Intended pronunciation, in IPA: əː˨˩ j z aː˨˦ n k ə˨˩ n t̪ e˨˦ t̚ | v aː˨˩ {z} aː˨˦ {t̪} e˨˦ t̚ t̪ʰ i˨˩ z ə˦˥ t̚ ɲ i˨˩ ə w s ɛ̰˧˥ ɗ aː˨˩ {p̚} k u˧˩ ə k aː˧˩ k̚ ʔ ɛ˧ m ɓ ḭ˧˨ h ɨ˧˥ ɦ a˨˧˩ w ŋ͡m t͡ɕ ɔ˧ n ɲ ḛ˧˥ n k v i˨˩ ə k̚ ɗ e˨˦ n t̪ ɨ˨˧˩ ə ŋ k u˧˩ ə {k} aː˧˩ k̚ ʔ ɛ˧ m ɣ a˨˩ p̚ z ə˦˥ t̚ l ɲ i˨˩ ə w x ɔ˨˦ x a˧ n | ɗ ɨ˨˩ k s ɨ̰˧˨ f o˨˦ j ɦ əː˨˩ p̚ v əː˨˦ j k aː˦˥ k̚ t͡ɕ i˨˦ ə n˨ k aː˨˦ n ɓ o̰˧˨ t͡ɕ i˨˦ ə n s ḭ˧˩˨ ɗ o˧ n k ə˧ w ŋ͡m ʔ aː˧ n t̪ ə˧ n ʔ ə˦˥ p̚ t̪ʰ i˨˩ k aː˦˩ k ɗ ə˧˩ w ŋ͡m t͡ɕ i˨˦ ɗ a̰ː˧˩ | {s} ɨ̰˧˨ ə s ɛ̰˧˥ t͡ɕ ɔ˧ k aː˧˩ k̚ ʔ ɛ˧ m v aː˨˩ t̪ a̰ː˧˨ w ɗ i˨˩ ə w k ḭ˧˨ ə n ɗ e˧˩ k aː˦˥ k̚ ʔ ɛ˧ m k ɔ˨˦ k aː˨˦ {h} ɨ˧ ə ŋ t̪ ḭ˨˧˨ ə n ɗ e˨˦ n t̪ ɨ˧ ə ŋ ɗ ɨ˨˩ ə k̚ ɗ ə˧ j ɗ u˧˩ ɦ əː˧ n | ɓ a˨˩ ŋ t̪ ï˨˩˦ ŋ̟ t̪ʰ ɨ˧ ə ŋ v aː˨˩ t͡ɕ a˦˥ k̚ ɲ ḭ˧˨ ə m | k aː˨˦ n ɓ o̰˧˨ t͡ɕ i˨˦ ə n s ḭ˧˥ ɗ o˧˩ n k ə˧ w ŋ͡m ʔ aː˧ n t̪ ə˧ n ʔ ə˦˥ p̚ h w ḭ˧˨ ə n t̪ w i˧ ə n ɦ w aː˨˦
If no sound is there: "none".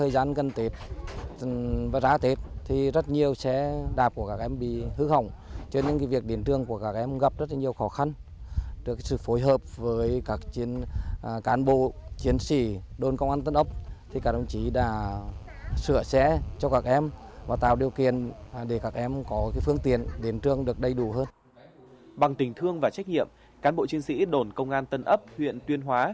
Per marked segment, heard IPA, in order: z, t̪, p̚, k, s, f

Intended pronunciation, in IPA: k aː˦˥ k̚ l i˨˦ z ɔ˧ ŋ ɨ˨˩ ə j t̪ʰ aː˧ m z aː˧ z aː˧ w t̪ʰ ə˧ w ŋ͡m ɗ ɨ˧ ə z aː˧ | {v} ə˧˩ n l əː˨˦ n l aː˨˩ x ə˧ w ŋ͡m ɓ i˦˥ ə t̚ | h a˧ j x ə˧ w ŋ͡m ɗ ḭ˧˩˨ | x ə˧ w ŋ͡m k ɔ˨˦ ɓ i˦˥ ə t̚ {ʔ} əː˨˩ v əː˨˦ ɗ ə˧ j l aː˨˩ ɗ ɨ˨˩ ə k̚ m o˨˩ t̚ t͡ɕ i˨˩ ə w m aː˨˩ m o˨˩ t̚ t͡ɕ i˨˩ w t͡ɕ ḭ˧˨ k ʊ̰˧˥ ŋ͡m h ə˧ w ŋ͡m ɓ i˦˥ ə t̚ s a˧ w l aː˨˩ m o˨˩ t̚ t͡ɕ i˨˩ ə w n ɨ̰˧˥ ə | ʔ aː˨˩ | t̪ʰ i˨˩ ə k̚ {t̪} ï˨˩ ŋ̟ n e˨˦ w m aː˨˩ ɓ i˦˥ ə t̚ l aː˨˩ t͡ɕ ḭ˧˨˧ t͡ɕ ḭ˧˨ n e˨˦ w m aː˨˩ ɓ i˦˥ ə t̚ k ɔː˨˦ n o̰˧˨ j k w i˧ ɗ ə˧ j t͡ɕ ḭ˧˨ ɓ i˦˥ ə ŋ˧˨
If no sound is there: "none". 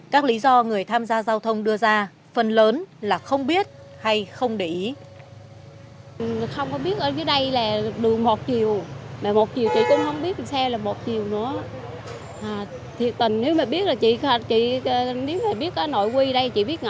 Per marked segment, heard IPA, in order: f, ʔ, t̪

